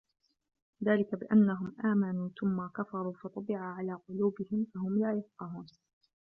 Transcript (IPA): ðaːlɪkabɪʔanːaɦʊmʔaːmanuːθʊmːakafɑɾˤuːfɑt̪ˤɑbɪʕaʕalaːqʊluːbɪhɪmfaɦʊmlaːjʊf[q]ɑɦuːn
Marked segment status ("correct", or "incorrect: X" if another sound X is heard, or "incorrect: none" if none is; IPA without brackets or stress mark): correct